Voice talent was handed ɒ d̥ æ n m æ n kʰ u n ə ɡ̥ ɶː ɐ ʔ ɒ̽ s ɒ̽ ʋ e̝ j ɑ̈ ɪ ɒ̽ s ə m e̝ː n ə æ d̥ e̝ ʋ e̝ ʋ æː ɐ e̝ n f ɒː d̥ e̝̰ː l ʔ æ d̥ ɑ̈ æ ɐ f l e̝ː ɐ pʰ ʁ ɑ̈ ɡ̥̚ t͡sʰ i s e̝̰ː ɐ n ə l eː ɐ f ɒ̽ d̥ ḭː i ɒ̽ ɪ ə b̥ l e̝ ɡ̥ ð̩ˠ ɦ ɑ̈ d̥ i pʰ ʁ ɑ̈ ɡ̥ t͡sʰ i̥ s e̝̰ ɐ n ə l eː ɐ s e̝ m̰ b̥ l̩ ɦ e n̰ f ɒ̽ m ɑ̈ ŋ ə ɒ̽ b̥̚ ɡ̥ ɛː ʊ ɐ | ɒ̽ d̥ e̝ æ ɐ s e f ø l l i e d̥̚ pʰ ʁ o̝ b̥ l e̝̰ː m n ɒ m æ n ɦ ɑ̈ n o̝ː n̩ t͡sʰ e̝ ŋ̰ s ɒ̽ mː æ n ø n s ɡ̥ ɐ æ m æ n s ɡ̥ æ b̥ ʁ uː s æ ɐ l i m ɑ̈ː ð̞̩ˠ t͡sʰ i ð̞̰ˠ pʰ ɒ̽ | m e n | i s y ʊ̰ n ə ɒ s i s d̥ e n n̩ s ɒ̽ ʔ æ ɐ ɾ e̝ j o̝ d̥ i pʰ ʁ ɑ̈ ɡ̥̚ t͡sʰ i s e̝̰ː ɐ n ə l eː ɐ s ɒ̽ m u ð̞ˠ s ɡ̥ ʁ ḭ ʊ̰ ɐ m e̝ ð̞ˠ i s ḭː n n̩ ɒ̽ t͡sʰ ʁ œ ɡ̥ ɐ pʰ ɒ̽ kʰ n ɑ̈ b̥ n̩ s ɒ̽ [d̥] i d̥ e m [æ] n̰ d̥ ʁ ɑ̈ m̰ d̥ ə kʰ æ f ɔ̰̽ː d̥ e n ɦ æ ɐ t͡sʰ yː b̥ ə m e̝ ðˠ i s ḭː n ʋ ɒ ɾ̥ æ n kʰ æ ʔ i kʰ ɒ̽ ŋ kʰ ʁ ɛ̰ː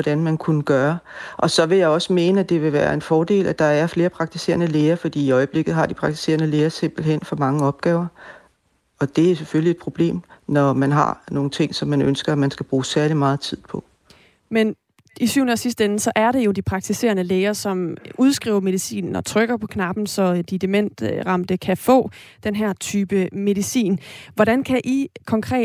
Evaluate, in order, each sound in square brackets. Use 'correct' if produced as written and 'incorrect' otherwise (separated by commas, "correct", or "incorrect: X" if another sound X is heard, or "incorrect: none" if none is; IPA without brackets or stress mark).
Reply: correct, incorrect: e